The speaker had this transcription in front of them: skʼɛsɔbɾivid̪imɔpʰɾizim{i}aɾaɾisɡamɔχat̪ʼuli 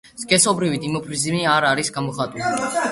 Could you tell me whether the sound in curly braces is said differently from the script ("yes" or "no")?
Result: no